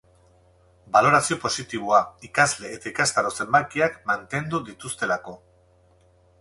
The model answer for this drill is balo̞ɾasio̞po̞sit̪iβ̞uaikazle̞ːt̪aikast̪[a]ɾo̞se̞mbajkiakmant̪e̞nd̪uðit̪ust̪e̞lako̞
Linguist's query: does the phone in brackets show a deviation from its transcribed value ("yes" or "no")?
no